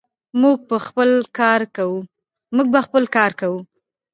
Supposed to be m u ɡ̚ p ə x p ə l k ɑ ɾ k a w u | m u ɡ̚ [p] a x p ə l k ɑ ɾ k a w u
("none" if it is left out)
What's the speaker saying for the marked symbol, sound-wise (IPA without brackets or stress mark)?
b